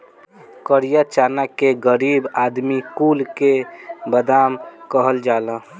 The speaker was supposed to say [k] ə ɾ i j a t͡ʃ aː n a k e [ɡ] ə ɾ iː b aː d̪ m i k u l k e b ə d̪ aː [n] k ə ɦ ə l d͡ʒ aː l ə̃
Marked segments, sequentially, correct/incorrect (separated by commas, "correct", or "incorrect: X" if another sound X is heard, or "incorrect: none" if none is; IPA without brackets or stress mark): correct, correct, incorrect: m